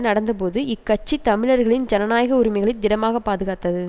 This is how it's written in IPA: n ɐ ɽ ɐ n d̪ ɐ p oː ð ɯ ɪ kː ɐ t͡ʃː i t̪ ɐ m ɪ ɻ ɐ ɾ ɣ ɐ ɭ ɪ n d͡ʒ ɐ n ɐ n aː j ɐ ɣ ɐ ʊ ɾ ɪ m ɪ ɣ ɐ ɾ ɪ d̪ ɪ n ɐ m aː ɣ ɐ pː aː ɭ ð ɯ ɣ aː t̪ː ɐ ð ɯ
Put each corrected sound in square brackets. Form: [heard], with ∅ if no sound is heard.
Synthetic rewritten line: n ɐ ɽ ɐ n d̪ ɐ p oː ð ɯ ɪ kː ɐ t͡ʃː i t̪ ɐ m ɪ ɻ ɐ ɾ ɣ ɐ ɭ ɪ n d͡ʒ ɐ n ɐ n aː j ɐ ɣ ɐ ʊ ɾ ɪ m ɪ ɣ ɐ [ɭ] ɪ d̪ ɪ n ɐ m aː ɣ ɐ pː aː [∅] ð ɯ ɣ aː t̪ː ɐ ð ɯ